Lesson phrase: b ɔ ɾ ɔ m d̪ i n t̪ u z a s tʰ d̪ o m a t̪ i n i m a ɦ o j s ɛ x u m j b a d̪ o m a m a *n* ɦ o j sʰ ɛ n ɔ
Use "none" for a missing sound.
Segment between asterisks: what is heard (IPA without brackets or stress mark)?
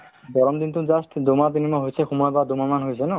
n